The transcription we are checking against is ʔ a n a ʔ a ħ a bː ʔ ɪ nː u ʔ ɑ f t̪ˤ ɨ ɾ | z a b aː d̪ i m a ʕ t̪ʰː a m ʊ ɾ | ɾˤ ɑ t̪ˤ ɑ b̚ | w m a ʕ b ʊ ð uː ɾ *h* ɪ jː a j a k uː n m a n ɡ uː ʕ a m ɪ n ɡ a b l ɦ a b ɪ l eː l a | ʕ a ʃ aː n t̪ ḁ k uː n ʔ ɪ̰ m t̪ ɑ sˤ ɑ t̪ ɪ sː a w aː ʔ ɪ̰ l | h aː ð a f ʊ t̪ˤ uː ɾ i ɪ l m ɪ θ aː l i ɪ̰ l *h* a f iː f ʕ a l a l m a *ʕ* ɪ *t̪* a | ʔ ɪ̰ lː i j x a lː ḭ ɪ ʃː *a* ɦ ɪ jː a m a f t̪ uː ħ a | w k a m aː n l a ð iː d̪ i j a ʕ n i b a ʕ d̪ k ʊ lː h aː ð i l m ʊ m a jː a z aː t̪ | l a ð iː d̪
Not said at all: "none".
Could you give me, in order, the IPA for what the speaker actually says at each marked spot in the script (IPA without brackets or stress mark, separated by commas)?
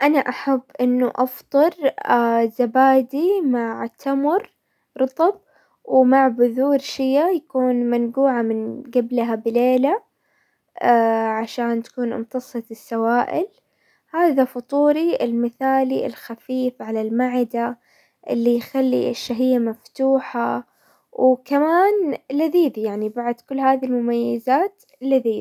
ʃ, x, ʕ, d̪, a